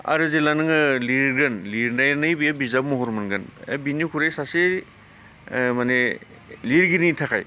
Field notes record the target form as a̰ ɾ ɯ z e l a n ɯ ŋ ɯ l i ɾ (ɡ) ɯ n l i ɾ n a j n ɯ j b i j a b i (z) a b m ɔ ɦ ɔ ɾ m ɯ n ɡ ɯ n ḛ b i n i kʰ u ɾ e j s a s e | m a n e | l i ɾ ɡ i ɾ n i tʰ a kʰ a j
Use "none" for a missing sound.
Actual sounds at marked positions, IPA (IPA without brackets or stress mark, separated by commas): ɡ, z